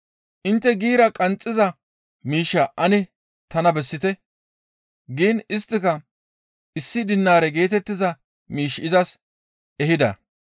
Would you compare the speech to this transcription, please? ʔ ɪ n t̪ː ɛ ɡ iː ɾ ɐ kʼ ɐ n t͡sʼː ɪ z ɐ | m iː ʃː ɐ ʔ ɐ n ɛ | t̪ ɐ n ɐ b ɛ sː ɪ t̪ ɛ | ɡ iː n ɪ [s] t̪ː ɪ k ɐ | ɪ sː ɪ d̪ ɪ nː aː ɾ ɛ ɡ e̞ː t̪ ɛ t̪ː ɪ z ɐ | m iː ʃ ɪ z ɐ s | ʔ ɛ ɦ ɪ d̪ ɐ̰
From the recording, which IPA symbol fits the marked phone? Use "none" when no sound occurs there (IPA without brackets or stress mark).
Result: s